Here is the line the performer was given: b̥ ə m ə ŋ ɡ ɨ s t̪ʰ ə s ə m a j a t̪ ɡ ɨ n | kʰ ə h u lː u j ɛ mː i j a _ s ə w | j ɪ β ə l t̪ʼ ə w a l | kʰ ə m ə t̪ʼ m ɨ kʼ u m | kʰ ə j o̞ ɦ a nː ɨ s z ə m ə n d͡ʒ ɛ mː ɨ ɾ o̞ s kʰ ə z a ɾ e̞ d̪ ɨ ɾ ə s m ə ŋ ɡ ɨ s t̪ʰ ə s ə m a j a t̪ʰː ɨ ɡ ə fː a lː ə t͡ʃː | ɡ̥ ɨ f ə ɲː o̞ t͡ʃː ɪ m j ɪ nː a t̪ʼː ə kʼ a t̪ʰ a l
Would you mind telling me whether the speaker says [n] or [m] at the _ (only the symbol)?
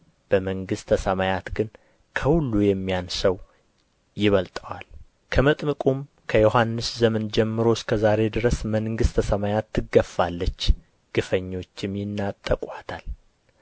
n